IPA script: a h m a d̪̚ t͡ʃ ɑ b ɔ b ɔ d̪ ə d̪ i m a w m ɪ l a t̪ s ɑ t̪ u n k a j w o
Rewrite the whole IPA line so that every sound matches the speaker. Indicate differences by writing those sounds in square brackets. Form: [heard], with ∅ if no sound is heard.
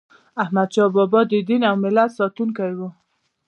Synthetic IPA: a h m a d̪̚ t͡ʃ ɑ b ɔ b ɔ d̪ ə d̪ i [n] a w m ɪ l a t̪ s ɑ t̪ u n k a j w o